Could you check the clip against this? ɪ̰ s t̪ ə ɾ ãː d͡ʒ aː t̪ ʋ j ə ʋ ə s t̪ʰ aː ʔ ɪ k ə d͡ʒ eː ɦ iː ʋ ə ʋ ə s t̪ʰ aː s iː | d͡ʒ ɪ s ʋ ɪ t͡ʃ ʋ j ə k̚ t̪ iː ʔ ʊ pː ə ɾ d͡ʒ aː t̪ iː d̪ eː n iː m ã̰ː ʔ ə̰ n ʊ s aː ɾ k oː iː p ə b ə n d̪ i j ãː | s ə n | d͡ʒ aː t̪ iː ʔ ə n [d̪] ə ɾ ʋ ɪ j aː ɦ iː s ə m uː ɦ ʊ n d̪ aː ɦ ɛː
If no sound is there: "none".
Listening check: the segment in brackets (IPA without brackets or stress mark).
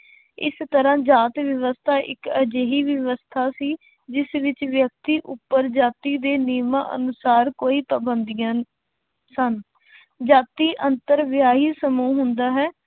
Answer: t̪